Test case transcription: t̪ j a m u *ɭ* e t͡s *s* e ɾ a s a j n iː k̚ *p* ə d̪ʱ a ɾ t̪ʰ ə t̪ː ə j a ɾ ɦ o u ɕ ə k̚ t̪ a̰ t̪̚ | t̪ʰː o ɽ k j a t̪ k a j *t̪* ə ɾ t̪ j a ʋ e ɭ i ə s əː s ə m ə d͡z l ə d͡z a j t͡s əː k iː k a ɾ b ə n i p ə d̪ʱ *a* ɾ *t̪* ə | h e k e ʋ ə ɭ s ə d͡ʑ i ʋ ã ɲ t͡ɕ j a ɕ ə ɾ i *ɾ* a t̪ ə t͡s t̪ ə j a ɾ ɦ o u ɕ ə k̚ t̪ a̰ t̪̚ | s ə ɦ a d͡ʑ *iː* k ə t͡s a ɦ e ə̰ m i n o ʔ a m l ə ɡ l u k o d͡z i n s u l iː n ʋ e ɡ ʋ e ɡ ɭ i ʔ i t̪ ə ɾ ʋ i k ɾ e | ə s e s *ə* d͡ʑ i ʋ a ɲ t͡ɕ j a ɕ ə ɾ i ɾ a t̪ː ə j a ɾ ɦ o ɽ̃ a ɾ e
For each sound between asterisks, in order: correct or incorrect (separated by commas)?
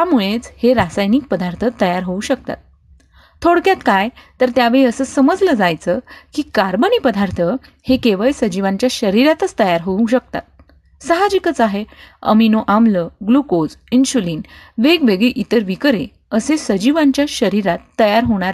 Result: correct, incorrect, correct, correct, correct, incorrect, correct, incorrect, correct